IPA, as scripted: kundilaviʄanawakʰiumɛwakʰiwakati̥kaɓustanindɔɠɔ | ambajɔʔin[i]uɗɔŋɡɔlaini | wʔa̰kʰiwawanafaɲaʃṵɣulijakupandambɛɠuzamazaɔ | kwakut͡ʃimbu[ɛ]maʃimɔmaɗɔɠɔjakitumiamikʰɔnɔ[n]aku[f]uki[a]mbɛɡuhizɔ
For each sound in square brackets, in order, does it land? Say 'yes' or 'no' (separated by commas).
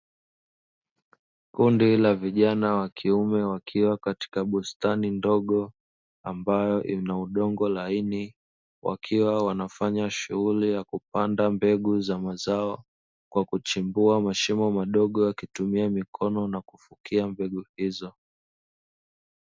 no, no, yes, yes, yes